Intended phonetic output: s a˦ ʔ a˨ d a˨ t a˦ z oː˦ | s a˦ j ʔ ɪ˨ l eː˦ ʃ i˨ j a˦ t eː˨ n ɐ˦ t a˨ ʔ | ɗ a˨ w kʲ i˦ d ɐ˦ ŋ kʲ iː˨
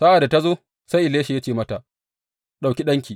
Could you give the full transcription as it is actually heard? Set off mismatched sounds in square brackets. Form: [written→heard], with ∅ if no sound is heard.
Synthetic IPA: s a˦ ʔ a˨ d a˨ t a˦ z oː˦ | s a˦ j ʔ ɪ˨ l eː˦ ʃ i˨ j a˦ [t→t͡ʃ] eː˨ [n→m] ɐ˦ t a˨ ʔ | ɗ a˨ w kʲ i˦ [d→ɗ] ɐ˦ ŋ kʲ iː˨